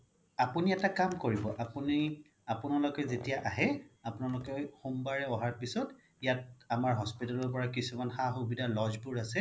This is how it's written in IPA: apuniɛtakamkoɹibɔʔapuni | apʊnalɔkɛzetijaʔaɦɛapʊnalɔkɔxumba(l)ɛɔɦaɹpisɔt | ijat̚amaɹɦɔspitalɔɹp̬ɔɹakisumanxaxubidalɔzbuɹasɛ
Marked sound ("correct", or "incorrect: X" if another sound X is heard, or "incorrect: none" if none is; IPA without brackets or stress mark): incorrect: ɹ